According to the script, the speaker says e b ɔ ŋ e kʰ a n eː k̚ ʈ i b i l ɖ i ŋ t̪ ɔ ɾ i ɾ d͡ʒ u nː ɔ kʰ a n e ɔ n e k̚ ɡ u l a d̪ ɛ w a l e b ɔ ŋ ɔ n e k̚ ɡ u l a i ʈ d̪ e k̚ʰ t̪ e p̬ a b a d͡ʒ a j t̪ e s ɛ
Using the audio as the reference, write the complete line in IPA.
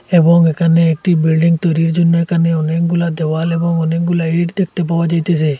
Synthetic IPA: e b ɔ ŋ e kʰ a n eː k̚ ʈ i b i l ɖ i ŋ t̪ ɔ ɾ i ɾ d͡ʒ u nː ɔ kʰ a n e ɔ n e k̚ ɡ u l a d̪ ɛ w a l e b ɔ ŋ ɔ n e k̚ ɡ u l a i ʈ d̪ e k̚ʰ t̪ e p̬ a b a d͡ʒ a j t̪ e s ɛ